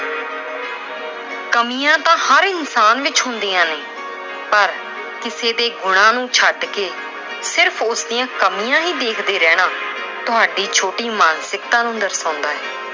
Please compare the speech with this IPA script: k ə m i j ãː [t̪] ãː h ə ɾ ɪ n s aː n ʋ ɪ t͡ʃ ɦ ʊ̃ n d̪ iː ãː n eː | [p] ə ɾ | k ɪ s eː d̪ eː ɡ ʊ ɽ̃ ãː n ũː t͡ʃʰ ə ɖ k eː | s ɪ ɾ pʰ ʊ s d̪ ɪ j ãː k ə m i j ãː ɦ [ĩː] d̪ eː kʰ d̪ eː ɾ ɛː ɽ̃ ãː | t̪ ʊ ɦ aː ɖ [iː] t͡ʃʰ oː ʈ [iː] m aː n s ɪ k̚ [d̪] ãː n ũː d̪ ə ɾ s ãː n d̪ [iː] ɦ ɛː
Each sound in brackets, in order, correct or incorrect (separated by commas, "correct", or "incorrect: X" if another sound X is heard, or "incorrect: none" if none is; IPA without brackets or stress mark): correct, correct, incorrect: iː, correct, correct, incorrect: t̪, incorrect: aː